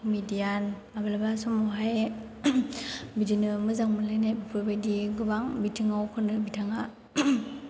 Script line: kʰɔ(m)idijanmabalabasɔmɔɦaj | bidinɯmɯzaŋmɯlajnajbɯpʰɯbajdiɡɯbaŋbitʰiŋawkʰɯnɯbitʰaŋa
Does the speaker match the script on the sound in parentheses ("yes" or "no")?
yes